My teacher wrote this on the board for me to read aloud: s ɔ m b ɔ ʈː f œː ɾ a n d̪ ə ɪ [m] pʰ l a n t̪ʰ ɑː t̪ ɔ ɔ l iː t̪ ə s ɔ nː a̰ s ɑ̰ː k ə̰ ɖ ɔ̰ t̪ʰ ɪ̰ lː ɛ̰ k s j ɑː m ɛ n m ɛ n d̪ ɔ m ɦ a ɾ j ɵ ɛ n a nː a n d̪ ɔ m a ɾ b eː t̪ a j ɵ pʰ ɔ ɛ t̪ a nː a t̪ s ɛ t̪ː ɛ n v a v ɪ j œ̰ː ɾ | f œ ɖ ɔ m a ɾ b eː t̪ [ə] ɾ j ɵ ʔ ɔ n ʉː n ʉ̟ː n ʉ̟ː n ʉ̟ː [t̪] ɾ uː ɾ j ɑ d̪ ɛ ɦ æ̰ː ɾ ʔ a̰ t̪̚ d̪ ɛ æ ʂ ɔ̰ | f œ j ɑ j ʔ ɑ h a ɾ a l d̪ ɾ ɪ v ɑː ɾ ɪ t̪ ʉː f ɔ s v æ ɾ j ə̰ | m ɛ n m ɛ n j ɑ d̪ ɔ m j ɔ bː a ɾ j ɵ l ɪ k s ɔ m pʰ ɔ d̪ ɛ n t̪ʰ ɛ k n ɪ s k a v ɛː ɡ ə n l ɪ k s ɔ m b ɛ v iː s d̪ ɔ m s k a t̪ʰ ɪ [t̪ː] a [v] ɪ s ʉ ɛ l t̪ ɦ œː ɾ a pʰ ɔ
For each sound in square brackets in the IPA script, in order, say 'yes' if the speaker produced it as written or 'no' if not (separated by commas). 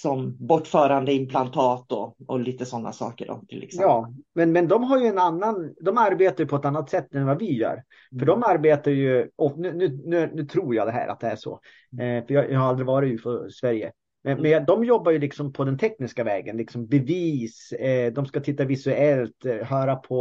yes, no, no, yes, yes